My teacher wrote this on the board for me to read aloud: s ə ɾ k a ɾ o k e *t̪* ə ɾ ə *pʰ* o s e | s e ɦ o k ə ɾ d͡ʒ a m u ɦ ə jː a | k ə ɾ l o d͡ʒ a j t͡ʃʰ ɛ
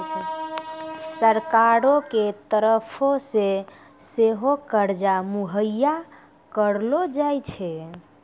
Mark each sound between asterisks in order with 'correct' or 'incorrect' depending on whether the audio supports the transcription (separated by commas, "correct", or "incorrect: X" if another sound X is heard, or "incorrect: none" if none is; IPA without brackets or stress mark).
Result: correct, correct